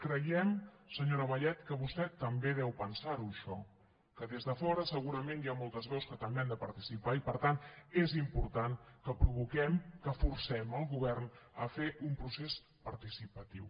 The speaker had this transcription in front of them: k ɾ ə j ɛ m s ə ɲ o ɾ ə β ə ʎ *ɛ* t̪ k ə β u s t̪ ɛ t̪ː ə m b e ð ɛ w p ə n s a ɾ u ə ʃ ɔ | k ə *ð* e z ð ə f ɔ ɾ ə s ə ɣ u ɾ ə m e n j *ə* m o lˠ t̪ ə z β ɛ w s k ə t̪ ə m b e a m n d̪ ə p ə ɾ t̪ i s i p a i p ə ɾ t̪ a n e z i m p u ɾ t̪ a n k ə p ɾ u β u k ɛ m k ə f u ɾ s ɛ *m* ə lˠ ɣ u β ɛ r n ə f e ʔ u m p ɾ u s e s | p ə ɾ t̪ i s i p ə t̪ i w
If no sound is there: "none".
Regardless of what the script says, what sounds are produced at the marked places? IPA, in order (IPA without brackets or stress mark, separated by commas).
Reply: ɛ, ð, a, m